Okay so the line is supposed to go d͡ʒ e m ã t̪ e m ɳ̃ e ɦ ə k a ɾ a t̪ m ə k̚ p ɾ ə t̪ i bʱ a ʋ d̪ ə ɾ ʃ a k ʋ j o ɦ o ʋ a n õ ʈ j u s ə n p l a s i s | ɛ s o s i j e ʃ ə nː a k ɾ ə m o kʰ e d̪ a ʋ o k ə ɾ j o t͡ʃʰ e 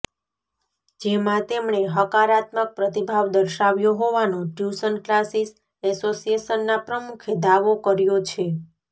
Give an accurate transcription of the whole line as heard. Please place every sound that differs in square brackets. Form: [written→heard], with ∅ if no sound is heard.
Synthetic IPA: d͡ʒ e m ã t̪ e m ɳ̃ e ɦ ə k a ɾ a t̪ m ə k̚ p ɾ ə t̪ i bʱ a ʋ d̪ ə ɾ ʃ a [k→∅] ʋ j o ɦ o ʋ a n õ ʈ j u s ə n [p→k] l a s i s | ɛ s o s i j e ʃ ə nː a [k→p] ɾ ə m [o→u] kʰ e d̪ a ʋ o k ə ɾ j o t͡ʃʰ e